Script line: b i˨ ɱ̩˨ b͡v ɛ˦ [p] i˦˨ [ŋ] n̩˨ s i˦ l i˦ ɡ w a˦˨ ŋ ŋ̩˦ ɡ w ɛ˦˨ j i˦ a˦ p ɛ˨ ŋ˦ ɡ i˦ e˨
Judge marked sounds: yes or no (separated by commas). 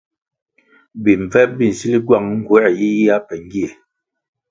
no, no